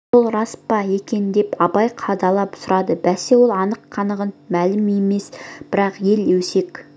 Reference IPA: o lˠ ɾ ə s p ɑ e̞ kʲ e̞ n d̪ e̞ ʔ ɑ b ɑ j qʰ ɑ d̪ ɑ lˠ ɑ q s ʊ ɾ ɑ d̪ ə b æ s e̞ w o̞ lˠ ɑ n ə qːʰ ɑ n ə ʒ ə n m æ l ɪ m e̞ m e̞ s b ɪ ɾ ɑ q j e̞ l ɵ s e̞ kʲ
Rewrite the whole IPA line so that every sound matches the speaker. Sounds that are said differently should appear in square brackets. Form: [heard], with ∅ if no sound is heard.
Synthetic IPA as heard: o lˠ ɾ [ɑ] s p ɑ e̞ kʲ e̞ n d̪ e̞ [p] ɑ b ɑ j qʰ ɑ d̪ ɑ lˠ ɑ [p] s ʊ ɾ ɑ d̪ ə b æ s e̞ w o̞ lˠ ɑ n ə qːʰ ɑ n ə [ʁ] ə n m æ l ɪ m e̞ m e̞ s b ɪ ɾ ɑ q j e̞ l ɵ s e̞ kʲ

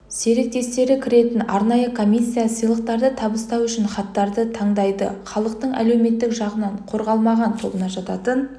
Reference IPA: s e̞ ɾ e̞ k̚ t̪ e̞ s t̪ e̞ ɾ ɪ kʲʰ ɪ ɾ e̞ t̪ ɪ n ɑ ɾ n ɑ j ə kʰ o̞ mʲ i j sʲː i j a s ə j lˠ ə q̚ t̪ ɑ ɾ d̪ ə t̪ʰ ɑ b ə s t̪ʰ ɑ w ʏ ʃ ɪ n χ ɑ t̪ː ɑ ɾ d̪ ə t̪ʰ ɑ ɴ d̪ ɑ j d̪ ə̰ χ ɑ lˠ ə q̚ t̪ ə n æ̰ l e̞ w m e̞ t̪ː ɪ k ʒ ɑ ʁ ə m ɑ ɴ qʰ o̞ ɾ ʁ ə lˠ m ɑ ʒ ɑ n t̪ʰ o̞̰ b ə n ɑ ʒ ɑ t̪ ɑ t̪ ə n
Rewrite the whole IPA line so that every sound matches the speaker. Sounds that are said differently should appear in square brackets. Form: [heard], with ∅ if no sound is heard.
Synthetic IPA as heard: s e̞ ɾ e̞ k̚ t̪ e̞ s t̪ e̞ ɾ ɪ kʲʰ ɪ ɾ e̞ t̪ ɪ n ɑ ɾ n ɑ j ə kʰ o̞ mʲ i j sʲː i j a s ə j lˠ ə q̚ t̪ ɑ ɾ d̪ ə t̪ʰ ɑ b ə s [t̪] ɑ w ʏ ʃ ɪ n χ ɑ t̪ː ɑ ɾ d̪ ə t̪ʰ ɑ ɴ d̪ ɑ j d̪ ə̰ χ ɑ lˠ ə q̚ t̪ ə [ɴ] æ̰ l e̞ w m e̞ t̪ː ɪ k ʒ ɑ ʁ ə [n] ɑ ɴ qʰ o̞ ɾ ʁ [ɑ] lˠ m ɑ [ʁ] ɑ n t̪ʰ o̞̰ b ə n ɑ ʒ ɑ t̪ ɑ t̪ ə n

